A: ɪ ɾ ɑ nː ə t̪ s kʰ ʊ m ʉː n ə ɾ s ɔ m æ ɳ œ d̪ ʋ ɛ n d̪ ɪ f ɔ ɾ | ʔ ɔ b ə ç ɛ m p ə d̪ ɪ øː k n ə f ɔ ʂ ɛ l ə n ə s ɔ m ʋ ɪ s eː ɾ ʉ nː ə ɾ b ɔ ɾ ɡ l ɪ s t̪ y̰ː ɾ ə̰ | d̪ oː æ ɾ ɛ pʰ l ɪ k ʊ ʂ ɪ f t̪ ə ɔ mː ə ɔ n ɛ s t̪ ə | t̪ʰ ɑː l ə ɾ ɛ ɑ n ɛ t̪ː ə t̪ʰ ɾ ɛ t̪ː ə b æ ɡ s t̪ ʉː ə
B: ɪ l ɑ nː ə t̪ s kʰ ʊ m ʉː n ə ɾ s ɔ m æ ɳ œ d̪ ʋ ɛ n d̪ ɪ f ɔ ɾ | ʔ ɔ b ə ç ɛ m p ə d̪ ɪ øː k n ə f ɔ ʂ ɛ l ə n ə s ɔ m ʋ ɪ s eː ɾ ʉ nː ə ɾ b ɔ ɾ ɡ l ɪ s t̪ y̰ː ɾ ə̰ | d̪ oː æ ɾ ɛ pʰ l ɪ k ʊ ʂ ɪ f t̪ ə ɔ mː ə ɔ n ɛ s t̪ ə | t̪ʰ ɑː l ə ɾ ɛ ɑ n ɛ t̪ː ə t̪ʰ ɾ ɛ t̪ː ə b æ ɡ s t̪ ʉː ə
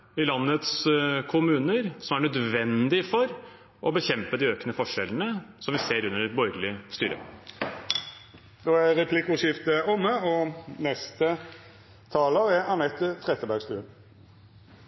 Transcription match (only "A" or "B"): B